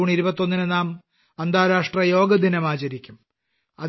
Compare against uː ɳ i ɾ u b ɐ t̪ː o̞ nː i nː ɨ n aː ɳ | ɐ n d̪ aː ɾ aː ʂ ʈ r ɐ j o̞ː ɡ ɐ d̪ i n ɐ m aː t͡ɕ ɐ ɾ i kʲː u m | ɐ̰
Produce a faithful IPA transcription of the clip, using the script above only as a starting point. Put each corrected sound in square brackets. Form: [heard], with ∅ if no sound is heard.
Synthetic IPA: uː ɳ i ɾ u b ɐ t̪ː o̞ nː i [n] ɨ n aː [m] | ɐ n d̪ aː ɾ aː ʂ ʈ r ɐ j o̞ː ɡ ɐ d̪ i n ɐ m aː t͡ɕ ɐ ɾ i kʲː u m | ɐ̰